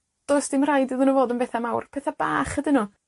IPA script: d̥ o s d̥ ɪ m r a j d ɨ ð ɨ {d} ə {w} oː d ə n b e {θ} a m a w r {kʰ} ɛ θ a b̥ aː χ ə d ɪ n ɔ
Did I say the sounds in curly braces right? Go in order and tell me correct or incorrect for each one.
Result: incorrect, incorrect, correct, incorrect

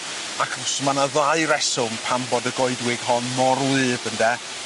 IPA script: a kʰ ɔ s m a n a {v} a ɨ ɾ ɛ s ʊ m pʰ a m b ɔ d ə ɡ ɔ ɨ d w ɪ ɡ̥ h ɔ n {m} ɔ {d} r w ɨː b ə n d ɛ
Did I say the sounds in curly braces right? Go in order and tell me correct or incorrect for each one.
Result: incorrect, correct, incorrect

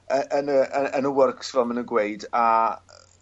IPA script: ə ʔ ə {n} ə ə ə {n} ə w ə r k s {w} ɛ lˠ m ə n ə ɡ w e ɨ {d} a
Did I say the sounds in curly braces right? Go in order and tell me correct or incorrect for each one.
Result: correct, correct, incorrect, correct

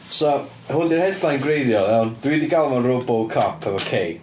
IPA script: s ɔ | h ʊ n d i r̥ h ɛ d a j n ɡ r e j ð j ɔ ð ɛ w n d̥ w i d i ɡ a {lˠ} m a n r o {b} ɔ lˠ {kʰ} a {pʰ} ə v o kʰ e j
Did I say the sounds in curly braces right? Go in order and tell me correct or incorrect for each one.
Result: correct, correct, correct, correct

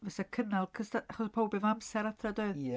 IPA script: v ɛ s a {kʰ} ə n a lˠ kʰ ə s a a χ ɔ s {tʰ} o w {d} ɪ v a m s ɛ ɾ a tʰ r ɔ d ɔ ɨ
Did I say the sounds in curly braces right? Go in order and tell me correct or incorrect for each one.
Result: correct, incorrect, incorrect

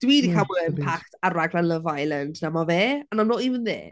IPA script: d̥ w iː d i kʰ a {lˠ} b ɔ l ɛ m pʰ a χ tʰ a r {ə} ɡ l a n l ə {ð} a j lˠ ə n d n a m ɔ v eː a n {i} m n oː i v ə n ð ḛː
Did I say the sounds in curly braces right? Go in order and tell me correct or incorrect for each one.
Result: incorrect, incorrect, incorrect, incorrect

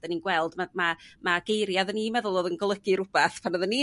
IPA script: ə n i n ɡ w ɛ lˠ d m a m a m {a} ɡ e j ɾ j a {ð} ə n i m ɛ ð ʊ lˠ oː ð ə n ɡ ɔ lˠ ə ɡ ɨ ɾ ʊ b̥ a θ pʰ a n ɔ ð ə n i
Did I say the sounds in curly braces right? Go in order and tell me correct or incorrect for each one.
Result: correct, correct

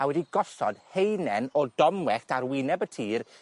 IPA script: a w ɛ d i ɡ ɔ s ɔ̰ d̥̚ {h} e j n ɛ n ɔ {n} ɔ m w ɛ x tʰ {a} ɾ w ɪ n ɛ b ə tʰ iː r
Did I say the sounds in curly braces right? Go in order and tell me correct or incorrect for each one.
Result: correct, incorrect, correct

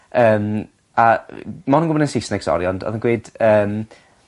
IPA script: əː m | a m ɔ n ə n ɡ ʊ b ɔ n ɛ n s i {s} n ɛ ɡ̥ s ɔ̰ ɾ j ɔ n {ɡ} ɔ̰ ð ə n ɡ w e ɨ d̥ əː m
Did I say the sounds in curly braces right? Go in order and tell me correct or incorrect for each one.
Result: correct, incorrect

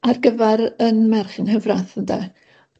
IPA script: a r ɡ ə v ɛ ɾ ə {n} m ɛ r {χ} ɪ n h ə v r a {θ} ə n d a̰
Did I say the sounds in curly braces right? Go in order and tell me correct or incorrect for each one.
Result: correct, correct, correct

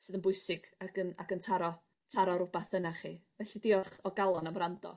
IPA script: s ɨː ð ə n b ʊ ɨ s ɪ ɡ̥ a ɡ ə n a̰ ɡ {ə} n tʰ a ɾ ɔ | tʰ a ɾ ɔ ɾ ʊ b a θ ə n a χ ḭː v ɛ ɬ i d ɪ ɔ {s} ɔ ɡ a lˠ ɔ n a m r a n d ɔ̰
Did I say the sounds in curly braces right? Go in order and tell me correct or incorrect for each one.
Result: correct, incorrect

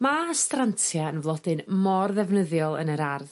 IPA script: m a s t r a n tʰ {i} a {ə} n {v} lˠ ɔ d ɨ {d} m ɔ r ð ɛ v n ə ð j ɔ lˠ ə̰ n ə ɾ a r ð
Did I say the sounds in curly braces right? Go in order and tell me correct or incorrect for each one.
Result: incorrect, correct, correct, incorrect

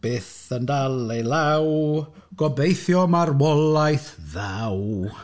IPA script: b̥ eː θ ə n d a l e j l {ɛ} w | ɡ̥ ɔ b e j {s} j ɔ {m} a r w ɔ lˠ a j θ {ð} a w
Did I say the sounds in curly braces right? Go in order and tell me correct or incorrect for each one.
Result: incorrect, incorrect, correct, correct

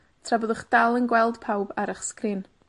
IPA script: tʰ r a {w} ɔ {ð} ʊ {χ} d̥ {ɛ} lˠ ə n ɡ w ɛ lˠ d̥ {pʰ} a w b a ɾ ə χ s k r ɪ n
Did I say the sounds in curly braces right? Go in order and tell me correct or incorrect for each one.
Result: incorrect, correct, correct, incorrect, correct

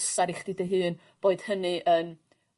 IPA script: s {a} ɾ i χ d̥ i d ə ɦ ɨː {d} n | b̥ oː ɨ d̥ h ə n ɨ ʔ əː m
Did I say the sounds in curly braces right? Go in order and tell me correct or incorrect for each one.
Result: correct, incorrect

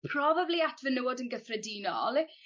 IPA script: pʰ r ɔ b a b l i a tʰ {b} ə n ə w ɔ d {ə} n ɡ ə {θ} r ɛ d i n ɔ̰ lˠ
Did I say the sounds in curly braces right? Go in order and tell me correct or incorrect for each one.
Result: incorrect, correct, correct

